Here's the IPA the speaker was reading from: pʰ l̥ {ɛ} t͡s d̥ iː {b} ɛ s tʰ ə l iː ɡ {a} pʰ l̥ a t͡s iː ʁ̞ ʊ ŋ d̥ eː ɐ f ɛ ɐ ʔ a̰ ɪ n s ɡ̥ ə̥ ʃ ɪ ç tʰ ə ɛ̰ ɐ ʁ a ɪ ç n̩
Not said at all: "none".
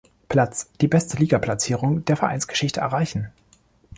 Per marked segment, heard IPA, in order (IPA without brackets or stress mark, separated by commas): a, b, a